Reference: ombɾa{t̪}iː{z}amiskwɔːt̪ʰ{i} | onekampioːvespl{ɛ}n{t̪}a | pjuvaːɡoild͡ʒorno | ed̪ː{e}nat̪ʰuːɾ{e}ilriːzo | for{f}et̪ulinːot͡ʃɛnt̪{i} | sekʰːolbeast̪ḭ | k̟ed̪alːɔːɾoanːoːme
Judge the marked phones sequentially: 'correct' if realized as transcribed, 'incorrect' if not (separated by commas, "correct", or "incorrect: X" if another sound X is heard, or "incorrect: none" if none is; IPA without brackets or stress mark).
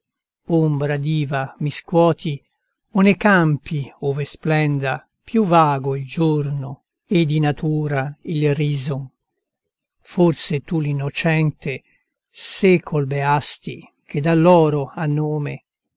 incorrect: d̪, incorrect: v, correct, correct, incorrect: d̪, incorrect: i, incorrect: a, incorrect: s, incorrect: e